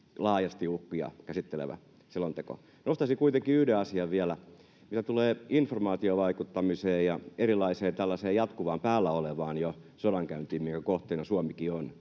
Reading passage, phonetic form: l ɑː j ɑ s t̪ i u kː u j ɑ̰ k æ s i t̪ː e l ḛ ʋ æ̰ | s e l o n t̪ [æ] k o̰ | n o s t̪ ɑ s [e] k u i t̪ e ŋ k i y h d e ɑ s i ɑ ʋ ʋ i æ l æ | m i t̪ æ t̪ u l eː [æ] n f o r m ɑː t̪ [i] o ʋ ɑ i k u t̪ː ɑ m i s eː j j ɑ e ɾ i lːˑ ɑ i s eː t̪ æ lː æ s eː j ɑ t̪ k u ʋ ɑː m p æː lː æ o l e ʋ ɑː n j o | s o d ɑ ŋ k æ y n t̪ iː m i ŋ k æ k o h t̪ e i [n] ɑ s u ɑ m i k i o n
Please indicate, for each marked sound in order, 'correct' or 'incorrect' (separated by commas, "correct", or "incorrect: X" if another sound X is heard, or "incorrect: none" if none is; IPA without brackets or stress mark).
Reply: incorrect: e, incorrect: i, incorrect: i, correct, correct